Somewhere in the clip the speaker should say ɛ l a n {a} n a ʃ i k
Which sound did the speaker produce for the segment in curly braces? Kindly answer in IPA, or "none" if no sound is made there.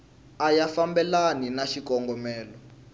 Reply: i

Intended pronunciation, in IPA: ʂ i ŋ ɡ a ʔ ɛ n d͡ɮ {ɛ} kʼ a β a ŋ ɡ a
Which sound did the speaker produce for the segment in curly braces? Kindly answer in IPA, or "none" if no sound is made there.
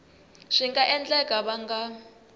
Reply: ɛ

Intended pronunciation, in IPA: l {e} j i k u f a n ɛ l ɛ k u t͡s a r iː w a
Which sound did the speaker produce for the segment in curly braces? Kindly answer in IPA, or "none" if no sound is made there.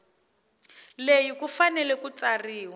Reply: e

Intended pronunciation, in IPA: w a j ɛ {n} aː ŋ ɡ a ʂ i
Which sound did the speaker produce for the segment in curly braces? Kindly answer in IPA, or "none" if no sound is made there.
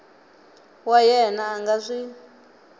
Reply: n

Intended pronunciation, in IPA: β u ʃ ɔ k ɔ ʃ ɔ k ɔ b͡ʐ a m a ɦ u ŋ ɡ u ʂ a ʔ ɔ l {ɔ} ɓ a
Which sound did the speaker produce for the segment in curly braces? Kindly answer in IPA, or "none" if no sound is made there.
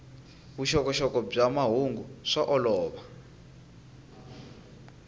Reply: ɔː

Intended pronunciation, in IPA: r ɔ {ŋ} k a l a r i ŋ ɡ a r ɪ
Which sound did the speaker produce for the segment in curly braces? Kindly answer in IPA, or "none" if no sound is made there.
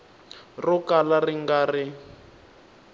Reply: none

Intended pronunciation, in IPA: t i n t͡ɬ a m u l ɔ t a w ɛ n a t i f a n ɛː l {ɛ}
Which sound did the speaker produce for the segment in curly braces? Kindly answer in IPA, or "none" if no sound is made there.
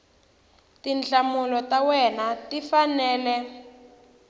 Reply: ɛ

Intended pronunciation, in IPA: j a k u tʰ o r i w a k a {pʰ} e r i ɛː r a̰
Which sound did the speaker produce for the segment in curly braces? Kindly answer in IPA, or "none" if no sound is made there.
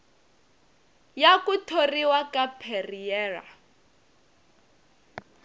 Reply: pʰ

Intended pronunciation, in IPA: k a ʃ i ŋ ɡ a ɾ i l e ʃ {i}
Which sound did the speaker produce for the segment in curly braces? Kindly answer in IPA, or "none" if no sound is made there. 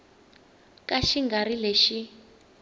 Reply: i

